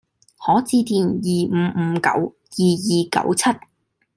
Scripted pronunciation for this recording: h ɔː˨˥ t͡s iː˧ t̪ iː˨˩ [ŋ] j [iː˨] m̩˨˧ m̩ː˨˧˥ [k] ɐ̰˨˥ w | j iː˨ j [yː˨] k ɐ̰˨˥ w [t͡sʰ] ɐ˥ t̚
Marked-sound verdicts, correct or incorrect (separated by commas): incorrect, correct, correct, incorrect, correct